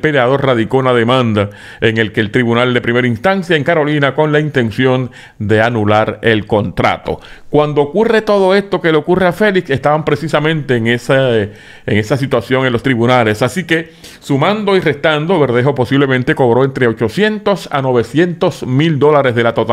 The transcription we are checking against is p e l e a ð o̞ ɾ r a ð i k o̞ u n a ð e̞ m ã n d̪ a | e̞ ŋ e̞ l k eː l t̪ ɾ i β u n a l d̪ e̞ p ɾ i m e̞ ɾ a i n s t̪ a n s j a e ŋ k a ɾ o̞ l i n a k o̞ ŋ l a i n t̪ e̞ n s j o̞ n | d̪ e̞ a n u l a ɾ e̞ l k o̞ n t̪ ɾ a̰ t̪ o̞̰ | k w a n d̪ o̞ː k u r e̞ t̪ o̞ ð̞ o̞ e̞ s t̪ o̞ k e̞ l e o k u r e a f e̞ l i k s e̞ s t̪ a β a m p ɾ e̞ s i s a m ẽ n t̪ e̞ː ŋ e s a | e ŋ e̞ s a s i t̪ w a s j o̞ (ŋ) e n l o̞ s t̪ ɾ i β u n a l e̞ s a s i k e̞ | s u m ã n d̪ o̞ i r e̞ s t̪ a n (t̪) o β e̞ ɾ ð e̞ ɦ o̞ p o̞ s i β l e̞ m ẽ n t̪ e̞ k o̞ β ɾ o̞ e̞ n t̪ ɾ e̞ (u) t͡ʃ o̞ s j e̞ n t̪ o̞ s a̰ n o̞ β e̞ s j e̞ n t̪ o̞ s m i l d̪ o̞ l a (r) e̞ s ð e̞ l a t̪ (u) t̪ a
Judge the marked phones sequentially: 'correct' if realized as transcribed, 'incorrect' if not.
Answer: correct, incorrect: d̪, incorrect: o, incorrect: ɾ, incorrect: o

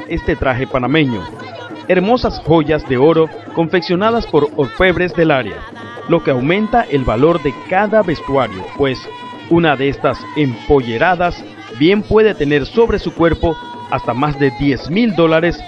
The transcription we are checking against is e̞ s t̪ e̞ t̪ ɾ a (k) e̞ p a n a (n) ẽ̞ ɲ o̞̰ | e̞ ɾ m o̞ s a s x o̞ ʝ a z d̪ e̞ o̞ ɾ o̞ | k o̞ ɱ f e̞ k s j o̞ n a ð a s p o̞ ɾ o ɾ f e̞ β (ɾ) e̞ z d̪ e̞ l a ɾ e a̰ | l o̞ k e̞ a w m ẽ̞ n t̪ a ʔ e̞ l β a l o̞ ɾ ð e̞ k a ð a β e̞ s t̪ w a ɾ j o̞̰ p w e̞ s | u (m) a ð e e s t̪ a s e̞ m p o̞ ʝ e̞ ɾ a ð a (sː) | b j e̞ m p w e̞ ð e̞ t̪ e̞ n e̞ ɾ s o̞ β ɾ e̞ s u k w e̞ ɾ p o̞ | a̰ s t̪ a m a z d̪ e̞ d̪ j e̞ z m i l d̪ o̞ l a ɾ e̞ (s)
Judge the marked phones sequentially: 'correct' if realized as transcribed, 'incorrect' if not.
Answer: incorrect: x, incorrect: m, correct, incorrect: n, incorrect: s, correct

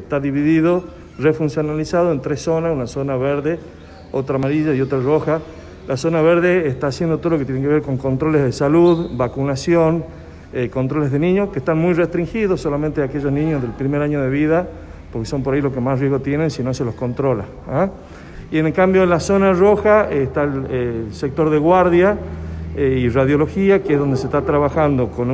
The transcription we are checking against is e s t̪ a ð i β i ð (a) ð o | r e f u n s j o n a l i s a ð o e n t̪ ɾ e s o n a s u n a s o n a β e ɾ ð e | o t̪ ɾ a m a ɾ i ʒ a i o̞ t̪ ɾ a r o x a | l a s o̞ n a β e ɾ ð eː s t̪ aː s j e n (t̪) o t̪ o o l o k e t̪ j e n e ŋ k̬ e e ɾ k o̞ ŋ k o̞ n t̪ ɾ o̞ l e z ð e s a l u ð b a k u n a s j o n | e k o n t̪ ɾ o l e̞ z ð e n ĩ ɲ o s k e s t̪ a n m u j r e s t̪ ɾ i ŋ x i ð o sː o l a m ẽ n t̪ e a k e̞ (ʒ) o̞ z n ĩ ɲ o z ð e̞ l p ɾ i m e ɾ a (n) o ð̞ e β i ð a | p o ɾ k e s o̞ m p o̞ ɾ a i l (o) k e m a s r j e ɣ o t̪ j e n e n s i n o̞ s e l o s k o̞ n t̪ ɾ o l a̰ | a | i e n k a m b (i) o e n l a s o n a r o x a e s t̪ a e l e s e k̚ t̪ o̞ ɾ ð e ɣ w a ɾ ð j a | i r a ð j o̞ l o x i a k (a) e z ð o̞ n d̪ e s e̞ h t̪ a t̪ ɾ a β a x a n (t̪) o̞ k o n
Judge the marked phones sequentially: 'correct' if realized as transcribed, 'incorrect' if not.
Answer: incorrect: i, incorrect: d̪, correct, incorrect: ɲ, correct, incorrect: j, incorrect: e, incorrect: d̪

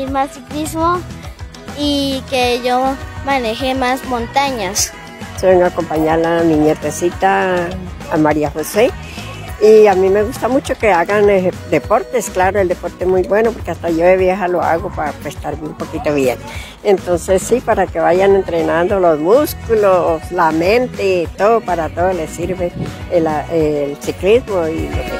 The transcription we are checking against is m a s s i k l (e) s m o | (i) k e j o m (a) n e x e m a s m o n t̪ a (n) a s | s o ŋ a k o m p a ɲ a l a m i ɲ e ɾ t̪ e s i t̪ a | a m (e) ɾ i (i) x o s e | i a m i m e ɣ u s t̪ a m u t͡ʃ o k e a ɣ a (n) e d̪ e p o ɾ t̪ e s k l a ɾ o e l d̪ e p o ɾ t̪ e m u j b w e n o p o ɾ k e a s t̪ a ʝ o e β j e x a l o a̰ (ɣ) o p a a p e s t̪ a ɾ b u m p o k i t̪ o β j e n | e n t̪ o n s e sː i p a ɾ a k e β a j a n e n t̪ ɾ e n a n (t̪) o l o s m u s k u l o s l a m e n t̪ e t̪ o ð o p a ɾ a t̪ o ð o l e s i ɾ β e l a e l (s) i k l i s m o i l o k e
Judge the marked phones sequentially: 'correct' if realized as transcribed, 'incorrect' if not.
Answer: incorrect: i, correct, correct, incorrect: ɲ, incorrect: a, incorrect: a, correct, correct, incorrect: d̪, correct

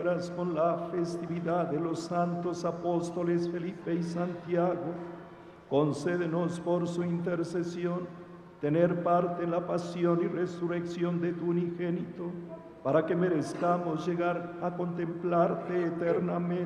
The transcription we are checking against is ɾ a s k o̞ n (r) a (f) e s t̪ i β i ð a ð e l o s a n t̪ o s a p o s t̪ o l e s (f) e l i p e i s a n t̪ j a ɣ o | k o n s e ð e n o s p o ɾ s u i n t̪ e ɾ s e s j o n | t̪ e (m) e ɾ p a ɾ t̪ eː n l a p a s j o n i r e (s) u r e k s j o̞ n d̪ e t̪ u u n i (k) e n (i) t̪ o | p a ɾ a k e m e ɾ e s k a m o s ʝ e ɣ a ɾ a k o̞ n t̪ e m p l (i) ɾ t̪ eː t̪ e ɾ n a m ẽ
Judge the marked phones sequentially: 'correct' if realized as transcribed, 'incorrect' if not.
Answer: incorrect: l, correct, correct, incorrect: n, correct, incorrect: x, correct, incorrect: a

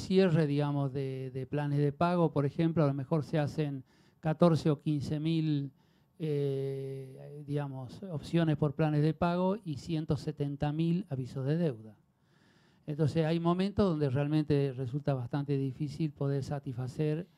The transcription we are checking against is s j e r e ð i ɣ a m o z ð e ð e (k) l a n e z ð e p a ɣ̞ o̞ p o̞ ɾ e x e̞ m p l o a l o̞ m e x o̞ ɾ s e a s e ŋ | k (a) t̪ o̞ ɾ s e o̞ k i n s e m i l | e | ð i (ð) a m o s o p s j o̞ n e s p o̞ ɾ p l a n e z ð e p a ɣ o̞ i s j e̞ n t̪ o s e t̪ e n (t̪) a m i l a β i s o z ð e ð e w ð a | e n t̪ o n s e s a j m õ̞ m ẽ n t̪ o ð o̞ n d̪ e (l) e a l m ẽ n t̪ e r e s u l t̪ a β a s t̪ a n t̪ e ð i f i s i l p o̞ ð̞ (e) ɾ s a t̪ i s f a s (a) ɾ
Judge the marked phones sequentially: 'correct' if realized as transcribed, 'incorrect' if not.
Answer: incorrect: p, correct, incorrect: ɣ, correct, incorrect: r, correct, incorrect: e

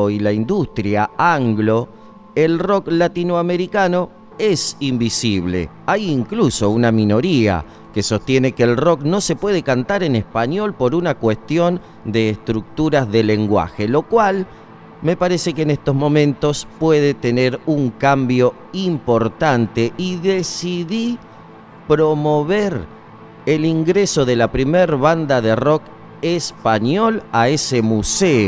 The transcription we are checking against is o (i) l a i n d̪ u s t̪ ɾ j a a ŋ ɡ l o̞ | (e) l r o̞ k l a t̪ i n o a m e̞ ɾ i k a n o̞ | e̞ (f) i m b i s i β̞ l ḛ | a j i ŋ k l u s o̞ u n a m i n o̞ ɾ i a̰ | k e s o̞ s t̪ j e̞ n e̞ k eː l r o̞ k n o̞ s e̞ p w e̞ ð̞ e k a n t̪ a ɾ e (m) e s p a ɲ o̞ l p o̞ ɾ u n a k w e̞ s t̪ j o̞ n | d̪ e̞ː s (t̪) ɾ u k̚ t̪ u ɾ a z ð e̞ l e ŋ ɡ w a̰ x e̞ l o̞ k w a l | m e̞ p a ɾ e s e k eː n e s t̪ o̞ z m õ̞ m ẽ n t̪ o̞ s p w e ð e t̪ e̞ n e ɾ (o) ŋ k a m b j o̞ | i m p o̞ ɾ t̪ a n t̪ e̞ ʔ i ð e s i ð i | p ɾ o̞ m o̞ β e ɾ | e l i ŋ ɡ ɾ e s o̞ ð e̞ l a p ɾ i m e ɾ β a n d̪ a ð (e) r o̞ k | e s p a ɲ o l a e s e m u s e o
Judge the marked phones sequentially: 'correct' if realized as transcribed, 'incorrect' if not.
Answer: correct, correct, incorrect: s, incorrect: n, correct, incorrect: u, correct

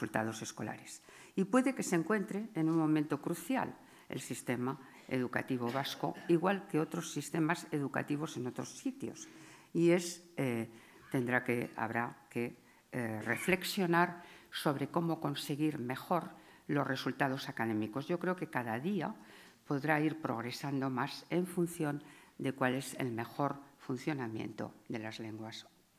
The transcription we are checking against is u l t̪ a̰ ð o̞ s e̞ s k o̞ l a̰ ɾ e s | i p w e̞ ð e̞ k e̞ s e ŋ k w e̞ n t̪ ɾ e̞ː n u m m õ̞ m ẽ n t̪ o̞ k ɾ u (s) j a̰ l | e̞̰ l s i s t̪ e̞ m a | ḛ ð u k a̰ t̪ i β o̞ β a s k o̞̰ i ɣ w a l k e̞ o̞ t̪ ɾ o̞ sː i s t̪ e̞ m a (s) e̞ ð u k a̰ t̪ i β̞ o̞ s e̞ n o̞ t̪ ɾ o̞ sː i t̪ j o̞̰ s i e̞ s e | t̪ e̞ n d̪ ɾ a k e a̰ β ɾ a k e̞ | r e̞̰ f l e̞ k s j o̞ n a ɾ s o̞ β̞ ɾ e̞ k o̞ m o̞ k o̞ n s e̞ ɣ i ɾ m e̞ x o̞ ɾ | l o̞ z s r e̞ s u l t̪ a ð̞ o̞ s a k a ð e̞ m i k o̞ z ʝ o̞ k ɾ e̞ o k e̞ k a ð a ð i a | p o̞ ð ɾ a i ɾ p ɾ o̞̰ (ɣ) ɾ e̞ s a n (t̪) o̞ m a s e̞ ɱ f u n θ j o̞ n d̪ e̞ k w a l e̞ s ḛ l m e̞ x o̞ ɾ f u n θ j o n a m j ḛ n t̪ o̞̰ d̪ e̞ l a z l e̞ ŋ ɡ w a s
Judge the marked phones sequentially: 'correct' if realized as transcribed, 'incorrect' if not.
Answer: incorrect: θ, correct, correct, incorrect: d̪

